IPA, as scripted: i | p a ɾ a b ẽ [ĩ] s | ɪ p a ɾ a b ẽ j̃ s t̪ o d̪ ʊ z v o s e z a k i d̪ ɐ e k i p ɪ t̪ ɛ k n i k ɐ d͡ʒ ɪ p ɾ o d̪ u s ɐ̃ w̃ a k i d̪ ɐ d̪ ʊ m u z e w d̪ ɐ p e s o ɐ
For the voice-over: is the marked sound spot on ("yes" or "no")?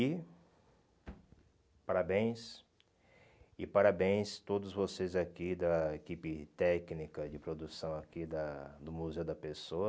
no